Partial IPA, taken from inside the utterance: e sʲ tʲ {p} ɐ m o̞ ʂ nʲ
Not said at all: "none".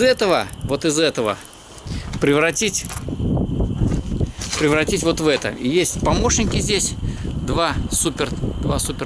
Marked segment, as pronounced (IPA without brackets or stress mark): p